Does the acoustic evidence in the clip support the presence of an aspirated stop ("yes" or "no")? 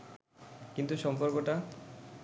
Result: no